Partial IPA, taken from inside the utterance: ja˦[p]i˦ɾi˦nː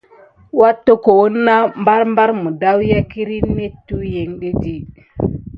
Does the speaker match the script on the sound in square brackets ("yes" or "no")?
no